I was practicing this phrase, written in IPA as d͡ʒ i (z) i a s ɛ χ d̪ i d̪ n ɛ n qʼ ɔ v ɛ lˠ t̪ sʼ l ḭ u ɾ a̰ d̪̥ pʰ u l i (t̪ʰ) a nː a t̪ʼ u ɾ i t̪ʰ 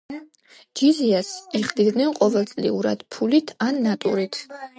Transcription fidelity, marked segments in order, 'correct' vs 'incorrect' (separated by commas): correct, correct